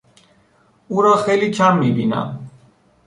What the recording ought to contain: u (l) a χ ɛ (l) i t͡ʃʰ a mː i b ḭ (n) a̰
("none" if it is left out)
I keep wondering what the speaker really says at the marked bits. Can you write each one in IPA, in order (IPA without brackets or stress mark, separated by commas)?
ɾ, l, n